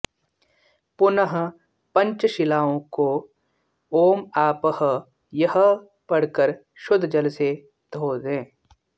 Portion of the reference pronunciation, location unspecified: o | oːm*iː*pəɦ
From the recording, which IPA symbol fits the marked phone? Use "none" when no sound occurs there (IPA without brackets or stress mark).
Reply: aː